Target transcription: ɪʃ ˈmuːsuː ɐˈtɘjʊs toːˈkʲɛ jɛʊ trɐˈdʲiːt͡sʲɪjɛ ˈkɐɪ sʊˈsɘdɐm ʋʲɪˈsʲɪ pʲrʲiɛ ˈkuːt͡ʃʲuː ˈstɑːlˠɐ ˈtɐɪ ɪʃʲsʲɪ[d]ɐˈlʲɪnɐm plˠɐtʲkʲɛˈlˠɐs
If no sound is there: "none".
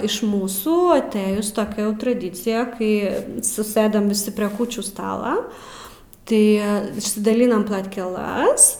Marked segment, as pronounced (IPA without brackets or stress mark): d